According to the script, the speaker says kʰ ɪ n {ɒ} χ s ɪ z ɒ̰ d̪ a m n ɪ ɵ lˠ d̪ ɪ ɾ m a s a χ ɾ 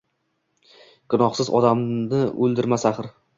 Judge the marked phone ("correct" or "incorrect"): correct